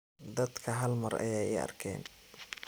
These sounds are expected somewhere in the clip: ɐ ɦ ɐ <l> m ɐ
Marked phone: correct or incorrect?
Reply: correct